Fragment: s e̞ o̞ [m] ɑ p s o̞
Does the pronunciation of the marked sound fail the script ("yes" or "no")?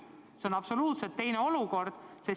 yes